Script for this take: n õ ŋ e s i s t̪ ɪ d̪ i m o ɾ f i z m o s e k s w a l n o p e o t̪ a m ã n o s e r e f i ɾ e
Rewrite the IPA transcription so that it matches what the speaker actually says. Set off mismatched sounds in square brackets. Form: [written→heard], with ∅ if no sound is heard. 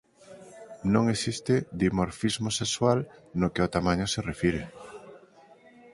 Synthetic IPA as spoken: n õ ŋ e s i s t̪ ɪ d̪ i m o ɾ f i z m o s e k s w a l n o [p→k] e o t̪ a m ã [n→ɲ] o s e r e f i ɾ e